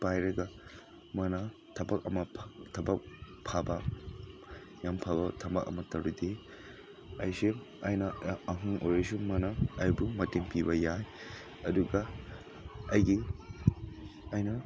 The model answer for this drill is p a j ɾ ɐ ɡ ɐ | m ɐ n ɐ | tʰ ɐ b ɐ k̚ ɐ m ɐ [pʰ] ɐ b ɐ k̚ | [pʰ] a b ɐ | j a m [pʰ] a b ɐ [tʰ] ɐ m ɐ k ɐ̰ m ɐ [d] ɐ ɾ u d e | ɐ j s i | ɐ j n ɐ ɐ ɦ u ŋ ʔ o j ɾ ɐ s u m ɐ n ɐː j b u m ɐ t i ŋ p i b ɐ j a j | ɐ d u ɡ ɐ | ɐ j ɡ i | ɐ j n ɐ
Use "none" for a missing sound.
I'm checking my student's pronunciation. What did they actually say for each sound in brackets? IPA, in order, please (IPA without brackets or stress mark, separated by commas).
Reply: tʰ, pʰ, pʰ, tʰ, t